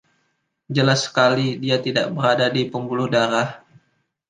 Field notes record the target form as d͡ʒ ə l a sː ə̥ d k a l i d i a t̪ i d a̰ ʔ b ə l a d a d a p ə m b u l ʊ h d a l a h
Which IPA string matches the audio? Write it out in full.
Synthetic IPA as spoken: d͡ʒ ə l a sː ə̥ k a l i d i a t̪ i d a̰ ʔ b ə ɾ a d a d i p ə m b u l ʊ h d a ɾ a h

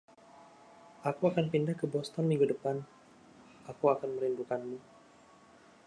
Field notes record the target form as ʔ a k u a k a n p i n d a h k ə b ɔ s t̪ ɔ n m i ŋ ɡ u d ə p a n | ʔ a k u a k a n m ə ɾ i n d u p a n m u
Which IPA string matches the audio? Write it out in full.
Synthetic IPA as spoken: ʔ a k u a k a n p i n d a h k ə b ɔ s t̪ ɔ n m i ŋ ɡ u d ə p a n | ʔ a k u a k a n m ə ɾ i n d u k a n m u

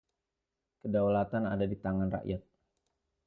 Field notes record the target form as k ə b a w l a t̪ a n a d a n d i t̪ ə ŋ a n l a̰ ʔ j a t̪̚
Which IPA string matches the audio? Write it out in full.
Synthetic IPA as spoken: k ə d a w l a t̪ a n a d a d i t̪ a ŋ a n r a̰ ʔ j a t̪̚

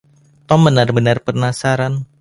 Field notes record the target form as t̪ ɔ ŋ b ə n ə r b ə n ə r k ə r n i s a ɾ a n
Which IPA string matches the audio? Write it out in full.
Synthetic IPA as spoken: t̪ ɔ m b ə n a r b ə n a r p ə r n a s a ɾ a n

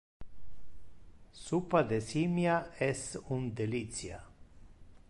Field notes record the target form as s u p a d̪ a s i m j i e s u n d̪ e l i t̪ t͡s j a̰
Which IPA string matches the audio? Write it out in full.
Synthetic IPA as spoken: s u p a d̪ e s i m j a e s u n d̪ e l i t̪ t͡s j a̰

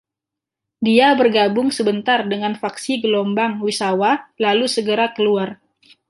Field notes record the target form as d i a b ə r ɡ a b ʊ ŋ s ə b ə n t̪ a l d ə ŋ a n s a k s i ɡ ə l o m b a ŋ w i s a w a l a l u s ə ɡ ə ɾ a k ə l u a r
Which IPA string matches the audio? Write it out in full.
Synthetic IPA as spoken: d i a b ə r ɡ a b ʊ ŋ s ə b ə n t̪ a r d ə ŋ a n f a k s i ɡ ə l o m b a ŋ w i s a w a l a l u s ə ɡ ə ɾ a k ə l u a r

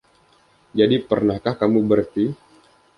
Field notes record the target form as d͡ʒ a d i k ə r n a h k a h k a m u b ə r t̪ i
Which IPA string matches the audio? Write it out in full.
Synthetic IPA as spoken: d͡ʒ a d i p ə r n a h k a h k a m u b ə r t̪ i

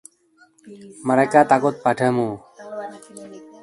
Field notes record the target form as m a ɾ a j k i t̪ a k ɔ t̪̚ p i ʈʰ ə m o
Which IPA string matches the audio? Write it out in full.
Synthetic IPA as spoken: m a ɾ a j k a t̪ a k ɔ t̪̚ p a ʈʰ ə m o

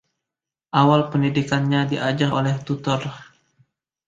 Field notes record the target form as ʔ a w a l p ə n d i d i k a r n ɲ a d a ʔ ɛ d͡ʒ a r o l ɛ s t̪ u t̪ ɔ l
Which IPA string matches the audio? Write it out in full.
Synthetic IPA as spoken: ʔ a w a l p ə n d i d i k a n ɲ a d i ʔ a d͡ʒ a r o l ɛ h t̪ u t̪ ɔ r

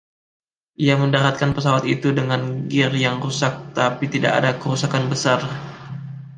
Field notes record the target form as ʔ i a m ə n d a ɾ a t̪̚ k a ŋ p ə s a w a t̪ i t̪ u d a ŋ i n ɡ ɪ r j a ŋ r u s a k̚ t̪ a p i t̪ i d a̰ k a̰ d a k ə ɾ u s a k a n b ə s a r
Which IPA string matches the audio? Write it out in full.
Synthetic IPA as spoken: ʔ i a m ə n d a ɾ a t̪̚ k a n p ə s a w a t̪ i t̪ u d ə ŋ a n ɡ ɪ r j a ŋ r u s a k̚ t̪ a p i t̪ i d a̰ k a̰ d a k ə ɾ u s a k a n b ə s a r

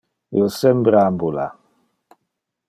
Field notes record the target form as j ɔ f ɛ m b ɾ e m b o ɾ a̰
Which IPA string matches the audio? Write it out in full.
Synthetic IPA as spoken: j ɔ s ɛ m b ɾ a m b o l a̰

